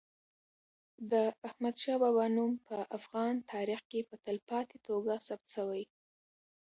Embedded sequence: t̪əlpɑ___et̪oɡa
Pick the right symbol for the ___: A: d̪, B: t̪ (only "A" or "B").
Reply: B